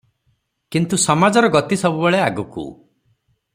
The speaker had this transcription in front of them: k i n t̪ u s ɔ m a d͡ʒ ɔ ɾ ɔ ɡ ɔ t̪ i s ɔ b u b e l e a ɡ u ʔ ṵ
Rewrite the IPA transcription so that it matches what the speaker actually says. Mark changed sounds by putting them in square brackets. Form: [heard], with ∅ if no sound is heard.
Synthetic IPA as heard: k i n t̪ u s ɔ m a d͡ʒ ɔ ɾ ɔ ɡ ɔ t̪ i s ɔ b u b e [ɭ] e a ɡ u [k] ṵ